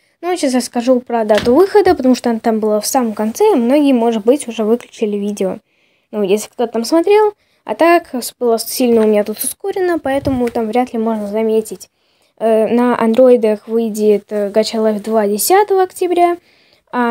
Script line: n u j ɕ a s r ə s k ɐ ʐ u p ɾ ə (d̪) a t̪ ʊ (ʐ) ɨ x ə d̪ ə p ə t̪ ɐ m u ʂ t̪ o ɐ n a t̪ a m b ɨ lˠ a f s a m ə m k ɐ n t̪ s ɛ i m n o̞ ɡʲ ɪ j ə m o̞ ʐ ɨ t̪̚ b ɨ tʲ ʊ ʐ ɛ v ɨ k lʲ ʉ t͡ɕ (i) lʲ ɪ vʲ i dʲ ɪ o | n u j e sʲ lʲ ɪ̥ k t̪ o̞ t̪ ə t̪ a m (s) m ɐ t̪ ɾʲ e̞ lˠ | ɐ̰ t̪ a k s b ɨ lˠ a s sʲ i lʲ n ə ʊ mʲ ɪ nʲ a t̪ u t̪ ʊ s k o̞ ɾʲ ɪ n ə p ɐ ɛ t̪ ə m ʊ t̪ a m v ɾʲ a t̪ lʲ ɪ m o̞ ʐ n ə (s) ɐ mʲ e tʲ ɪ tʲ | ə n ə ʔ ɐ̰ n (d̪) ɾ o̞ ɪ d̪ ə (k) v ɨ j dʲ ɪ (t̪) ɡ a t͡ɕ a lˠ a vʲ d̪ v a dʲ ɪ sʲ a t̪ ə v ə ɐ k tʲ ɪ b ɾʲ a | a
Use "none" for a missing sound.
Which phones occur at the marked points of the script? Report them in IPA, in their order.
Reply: d̪, v, ɪ, s, z, d̪, x, t̪

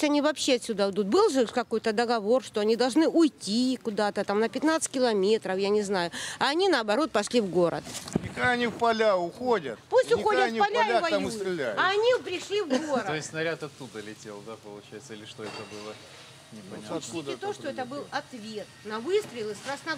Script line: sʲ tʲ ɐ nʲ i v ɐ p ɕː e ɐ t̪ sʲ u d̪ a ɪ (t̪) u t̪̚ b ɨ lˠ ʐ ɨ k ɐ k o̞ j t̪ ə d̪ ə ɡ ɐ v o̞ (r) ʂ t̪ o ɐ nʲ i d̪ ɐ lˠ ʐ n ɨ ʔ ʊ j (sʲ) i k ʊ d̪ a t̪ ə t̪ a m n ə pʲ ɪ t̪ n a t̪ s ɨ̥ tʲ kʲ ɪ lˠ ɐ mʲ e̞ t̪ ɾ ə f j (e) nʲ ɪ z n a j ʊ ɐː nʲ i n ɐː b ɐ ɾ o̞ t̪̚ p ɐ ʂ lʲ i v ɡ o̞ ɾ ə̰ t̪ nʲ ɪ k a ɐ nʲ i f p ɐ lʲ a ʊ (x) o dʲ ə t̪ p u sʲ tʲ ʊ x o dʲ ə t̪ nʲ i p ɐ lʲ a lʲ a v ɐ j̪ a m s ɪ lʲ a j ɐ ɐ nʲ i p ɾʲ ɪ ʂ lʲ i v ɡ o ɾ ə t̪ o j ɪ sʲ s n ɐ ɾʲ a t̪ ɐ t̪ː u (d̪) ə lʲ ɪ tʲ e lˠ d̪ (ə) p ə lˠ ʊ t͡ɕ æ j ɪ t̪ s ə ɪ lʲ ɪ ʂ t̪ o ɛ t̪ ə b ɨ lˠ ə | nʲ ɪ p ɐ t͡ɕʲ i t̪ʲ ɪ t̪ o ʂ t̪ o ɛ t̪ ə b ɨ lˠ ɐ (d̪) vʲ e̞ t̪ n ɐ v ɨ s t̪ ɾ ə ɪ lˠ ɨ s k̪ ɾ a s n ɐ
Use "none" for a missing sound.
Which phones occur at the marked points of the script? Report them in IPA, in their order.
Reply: d̪, r, tʲ, a, x, d̪, a, t̪

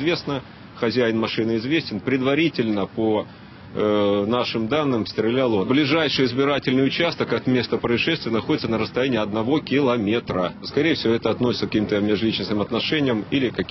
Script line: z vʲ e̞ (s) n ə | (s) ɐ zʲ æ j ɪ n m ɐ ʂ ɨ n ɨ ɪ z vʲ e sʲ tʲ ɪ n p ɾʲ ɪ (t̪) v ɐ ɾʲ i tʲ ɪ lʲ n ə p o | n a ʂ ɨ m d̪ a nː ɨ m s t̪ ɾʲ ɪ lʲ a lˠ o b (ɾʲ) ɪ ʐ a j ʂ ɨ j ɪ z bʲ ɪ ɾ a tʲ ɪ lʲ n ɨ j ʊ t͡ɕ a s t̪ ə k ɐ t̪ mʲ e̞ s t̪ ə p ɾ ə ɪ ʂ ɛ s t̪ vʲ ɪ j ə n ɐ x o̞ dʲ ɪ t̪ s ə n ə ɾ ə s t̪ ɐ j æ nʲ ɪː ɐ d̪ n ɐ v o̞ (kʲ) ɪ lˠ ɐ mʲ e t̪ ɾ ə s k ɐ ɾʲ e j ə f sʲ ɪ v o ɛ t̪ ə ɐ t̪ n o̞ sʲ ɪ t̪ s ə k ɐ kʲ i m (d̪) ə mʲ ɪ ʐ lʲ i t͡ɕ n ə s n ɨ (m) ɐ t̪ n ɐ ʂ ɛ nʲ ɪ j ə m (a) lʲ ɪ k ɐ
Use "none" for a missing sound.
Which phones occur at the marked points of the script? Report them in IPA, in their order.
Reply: s, x, d̪, lʲ, kʲ, t̪, m, i

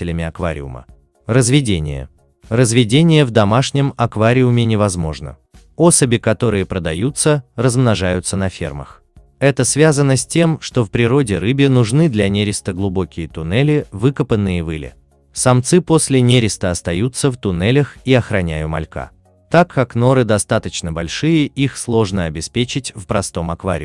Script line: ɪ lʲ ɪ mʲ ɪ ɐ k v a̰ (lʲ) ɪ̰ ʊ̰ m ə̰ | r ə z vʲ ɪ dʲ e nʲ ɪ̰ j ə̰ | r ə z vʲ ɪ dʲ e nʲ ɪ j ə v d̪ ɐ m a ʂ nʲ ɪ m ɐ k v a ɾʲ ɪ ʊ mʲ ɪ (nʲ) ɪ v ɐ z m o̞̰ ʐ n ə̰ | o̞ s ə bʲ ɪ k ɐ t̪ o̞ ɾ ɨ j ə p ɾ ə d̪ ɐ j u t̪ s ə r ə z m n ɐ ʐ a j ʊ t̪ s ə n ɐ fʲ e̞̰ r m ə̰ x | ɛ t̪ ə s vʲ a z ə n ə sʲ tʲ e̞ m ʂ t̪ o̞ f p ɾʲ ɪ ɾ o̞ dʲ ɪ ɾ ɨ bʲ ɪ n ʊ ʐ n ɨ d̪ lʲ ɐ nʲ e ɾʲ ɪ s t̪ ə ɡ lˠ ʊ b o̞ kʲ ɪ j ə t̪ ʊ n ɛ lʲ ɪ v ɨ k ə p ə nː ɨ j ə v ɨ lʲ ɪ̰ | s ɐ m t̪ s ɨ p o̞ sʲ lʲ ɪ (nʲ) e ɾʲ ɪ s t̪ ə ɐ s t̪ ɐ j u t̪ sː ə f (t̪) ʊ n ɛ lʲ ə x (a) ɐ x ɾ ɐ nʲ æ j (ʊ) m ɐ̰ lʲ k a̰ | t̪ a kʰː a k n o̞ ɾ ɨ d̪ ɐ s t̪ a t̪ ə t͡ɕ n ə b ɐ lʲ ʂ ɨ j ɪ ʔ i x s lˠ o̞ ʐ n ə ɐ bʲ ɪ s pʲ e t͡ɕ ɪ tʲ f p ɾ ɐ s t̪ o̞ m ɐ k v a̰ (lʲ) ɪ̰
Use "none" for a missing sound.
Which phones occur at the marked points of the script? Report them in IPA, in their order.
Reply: ɾʲ, nʲ, nʲ, t̪, i, ʊ, ɾʲ

